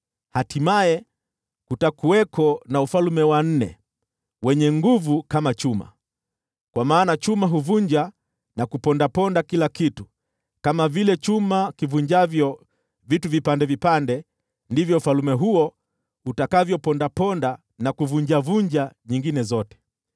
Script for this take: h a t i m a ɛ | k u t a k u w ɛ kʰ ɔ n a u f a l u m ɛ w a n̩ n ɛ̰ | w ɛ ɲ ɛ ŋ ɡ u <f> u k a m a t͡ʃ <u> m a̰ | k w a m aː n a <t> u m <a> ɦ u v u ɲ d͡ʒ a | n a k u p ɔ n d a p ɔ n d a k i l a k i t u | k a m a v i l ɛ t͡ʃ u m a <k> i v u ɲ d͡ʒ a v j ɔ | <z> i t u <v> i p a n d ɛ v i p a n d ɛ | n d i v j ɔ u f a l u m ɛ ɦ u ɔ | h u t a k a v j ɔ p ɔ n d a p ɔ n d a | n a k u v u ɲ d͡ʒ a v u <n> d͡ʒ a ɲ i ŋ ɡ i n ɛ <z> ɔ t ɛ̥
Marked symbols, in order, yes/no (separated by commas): no, yes, no, yes, yes, no, yes, no, yes